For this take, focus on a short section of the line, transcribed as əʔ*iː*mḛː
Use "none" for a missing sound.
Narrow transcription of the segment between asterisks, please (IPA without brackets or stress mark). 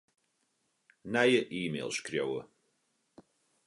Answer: iː